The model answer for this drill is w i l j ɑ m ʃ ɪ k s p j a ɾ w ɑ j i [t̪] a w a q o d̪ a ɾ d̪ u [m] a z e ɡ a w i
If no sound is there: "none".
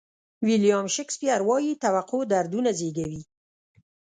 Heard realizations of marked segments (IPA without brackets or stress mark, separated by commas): t̪, n